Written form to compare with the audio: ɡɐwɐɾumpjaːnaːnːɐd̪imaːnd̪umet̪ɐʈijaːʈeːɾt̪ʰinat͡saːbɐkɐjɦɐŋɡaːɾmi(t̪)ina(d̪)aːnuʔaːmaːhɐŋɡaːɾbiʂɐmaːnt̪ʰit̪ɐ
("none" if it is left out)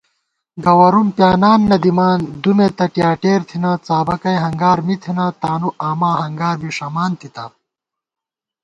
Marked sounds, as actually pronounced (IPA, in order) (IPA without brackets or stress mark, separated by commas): t̪ʰ, t̪